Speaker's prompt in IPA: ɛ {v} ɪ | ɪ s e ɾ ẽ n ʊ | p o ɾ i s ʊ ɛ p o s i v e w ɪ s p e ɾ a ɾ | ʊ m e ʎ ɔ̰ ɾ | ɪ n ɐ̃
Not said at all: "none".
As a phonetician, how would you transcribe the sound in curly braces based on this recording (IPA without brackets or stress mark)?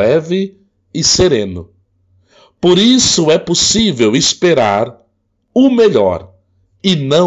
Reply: v